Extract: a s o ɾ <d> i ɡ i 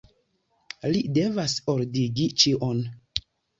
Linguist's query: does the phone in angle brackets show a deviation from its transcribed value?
no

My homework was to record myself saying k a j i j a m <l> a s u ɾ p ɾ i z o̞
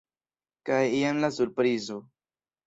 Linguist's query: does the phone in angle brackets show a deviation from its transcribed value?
no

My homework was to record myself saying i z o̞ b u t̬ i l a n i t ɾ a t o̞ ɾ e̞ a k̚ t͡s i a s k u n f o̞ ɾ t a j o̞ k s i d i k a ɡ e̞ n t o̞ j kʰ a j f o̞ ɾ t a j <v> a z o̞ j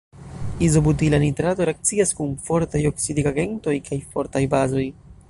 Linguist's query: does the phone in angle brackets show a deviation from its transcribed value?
yes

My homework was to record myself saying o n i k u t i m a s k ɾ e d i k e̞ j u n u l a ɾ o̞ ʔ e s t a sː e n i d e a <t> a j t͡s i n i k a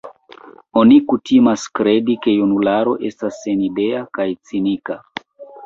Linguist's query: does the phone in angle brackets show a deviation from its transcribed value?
yes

